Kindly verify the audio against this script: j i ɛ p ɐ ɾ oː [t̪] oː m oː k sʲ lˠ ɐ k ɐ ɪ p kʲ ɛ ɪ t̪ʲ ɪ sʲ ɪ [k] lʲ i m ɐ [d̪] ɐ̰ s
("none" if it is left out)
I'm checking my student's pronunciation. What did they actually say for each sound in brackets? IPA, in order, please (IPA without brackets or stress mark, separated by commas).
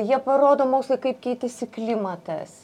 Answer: d̪, k, t̪